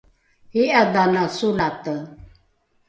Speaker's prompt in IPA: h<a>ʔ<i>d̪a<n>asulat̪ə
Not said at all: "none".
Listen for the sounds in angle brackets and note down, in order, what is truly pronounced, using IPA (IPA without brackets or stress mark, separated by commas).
i, a, n